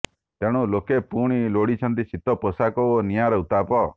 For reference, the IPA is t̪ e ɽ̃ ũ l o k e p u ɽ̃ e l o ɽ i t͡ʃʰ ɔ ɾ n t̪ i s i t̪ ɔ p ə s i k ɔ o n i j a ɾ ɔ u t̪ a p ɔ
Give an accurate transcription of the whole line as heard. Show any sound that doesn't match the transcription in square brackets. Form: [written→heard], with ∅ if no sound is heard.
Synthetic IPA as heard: t̪ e ɽ̃ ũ l o k e p u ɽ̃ [e→i] l o ɽ i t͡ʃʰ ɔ [ɾ→∅] n t̪ i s i t̪ ɔ p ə s [i→a] k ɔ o n i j a ɾ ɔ u t̪ a p ɔ